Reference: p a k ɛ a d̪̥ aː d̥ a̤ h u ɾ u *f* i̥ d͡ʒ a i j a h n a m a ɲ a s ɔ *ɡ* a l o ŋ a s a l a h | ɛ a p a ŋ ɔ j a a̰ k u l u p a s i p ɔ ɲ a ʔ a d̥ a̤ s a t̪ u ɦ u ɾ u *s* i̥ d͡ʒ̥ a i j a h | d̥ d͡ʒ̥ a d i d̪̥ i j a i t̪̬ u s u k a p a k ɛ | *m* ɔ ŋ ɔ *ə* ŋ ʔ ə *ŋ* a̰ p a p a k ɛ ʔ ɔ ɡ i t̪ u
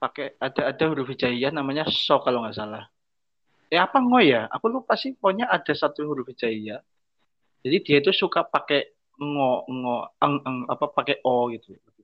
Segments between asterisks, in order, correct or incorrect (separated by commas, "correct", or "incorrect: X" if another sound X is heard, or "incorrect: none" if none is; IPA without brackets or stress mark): correct, incorrect: k, incorrect: f, incorrect: ŋ, correct, correct